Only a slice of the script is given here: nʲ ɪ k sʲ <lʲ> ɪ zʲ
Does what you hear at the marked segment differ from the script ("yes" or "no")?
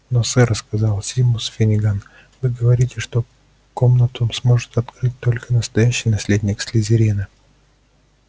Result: no